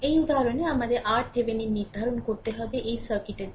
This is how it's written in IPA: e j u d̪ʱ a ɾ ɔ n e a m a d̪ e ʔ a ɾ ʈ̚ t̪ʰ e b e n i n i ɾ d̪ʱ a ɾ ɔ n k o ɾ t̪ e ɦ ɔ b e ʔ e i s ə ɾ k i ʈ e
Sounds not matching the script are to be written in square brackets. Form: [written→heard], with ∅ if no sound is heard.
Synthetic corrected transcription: e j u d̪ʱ a ɾ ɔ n e a m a d̪ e ʔ a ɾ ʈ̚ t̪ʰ e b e n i n i ɾ d̪ʱ a ɾ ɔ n k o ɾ t̪ e ɦ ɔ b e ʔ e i s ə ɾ k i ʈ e